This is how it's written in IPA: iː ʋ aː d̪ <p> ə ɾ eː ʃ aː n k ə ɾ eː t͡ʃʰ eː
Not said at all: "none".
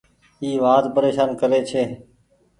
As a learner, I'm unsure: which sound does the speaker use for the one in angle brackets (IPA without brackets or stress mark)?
p